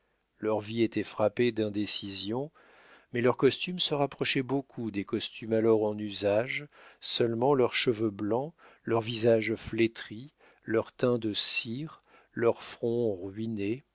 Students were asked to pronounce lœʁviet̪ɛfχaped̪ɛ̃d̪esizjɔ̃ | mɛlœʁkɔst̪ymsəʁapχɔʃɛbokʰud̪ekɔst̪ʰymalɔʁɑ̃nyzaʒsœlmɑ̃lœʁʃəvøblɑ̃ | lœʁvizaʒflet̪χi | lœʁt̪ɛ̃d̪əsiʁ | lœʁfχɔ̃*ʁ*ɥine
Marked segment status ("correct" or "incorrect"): correct